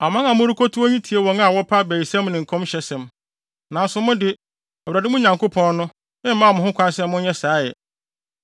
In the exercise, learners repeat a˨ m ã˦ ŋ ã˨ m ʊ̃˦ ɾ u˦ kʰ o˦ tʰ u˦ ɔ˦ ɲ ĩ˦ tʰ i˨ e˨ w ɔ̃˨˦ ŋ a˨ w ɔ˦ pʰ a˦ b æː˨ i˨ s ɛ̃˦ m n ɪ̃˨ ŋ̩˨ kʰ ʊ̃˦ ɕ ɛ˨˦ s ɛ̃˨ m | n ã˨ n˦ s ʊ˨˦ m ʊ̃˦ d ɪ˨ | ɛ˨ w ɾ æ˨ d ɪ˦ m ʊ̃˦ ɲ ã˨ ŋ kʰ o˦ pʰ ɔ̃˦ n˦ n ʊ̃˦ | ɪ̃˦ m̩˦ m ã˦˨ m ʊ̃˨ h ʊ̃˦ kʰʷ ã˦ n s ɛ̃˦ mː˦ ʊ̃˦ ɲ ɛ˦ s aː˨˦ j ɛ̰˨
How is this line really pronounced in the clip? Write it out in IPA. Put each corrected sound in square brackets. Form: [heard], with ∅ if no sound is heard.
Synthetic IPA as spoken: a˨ m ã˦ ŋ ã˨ m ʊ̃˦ ɾ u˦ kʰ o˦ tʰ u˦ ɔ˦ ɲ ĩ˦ tʰ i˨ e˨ w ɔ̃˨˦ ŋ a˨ w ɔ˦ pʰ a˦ b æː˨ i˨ s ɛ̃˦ m n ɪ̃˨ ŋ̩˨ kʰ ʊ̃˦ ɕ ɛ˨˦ s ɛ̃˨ m | n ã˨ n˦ s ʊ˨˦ m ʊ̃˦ d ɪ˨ | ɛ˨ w ɾ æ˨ d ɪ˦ m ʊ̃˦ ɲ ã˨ ŋ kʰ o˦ pʰ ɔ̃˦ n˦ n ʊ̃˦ | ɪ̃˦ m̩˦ m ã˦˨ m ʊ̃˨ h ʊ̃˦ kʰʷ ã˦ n s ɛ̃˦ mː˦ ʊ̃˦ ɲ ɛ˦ s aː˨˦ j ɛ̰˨